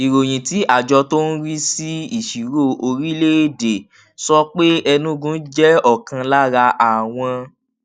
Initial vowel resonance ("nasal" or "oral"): oral